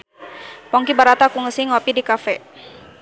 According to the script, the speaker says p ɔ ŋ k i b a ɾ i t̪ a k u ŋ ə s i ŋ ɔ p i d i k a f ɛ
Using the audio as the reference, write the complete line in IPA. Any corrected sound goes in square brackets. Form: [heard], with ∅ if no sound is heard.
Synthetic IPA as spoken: p ɔ ŋ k i b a ɾ [a] t̪ a k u ŋ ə s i ŋ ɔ p i d i k a f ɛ